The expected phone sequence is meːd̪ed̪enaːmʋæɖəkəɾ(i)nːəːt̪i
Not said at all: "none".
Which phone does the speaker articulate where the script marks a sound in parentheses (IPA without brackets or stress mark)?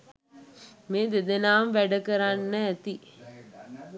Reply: a